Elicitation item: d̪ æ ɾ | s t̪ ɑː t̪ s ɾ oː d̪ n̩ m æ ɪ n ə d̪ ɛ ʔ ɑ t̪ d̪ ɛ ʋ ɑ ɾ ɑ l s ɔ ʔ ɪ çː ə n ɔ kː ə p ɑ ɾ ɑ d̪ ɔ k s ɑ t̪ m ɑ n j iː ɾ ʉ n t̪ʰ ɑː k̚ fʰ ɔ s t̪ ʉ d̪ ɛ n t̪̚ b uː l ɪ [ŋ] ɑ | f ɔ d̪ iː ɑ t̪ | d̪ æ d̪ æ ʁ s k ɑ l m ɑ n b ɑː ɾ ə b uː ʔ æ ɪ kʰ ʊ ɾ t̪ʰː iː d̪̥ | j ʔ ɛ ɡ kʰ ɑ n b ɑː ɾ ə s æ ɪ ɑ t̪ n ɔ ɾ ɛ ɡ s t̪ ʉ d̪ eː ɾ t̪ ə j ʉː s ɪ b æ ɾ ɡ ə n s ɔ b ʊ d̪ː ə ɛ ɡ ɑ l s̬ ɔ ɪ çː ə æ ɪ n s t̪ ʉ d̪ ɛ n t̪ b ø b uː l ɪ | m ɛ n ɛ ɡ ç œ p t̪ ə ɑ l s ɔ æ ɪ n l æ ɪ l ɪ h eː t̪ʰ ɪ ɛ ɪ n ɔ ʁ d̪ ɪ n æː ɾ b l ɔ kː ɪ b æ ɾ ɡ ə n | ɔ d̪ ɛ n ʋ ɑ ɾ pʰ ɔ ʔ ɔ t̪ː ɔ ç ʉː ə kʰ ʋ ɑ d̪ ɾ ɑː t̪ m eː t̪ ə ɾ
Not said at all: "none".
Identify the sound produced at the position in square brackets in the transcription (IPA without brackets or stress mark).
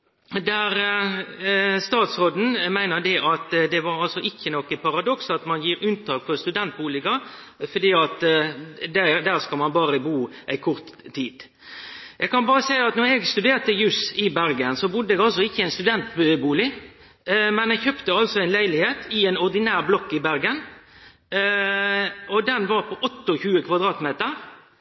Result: ɡ